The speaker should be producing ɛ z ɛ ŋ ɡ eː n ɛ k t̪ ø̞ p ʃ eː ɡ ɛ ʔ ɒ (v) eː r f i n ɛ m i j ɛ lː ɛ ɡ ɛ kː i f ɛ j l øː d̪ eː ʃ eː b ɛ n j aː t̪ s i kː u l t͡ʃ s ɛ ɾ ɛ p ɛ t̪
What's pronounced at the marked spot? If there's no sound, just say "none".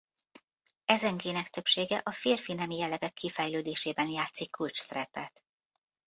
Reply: f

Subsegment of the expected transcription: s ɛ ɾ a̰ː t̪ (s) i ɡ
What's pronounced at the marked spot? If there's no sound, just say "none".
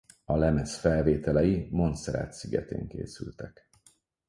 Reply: s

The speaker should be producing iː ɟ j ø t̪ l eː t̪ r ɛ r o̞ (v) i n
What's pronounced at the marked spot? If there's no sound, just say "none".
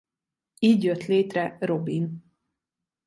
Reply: b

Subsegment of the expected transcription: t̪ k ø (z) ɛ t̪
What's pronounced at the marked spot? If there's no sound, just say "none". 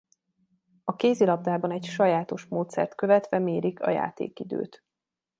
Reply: v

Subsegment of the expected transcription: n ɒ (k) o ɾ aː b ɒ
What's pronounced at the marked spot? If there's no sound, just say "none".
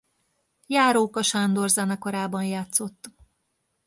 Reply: k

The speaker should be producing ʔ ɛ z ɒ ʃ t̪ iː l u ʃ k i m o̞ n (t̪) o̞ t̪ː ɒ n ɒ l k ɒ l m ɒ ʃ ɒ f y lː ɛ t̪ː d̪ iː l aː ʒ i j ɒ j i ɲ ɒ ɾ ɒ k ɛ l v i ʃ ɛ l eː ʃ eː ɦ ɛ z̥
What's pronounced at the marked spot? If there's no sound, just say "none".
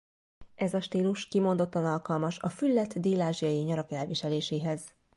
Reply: d̪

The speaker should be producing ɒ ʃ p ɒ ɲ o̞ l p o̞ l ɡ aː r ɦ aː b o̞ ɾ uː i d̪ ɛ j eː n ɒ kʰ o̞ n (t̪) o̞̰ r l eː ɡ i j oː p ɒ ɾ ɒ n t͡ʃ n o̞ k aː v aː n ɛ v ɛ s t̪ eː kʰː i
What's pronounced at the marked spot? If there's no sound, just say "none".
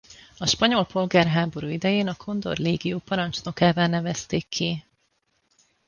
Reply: d̪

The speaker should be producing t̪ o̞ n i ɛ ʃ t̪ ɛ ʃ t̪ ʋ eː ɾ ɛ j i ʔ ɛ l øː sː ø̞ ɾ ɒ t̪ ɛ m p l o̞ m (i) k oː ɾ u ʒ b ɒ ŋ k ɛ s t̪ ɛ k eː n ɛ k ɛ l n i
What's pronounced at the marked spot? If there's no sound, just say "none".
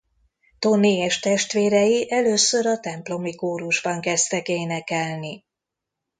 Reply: i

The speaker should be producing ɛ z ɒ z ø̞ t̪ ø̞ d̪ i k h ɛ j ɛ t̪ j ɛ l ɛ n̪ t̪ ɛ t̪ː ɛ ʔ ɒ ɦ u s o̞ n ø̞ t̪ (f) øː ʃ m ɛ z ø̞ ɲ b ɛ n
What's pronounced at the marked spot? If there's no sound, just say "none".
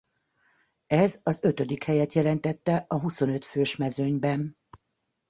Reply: f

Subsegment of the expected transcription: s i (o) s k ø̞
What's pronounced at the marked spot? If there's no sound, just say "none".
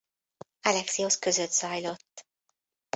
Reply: o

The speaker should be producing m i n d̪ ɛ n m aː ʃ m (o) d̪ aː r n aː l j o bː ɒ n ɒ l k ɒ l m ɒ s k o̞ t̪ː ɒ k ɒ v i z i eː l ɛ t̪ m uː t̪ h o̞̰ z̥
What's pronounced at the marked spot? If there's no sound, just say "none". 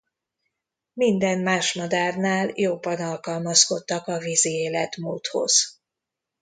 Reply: ɒ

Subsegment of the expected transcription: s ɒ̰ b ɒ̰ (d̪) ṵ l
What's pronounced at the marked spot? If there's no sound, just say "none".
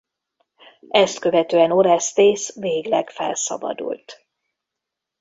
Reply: d̪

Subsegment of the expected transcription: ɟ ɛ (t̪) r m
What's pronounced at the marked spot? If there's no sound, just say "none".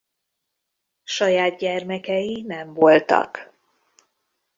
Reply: none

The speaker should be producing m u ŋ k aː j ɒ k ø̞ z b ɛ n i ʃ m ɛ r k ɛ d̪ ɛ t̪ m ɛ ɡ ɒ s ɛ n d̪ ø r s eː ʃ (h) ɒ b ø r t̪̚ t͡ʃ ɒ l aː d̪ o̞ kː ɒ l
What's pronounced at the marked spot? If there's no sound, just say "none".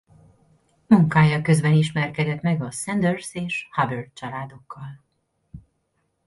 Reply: h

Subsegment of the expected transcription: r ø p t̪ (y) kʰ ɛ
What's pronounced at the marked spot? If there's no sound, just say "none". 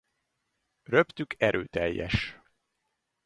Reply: y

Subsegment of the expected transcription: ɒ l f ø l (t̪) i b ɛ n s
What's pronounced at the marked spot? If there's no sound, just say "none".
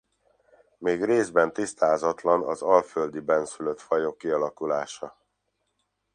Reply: d̪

